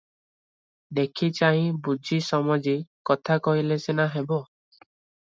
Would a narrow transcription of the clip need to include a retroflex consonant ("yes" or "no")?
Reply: no